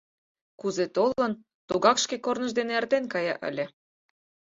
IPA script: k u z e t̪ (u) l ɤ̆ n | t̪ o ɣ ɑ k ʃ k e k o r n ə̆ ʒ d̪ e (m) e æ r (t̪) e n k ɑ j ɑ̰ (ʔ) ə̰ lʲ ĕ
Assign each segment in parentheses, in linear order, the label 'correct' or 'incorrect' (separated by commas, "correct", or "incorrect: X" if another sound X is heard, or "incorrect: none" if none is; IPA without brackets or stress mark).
incorrect: o, incorrect: n, correct, correct